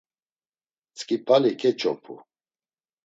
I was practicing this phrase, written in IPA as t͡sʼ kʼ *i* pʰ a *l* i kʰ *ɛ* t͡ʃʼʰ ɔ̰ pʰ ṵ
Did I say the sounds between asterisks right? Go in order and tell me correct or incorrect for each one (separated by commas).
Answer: correct, correct, correct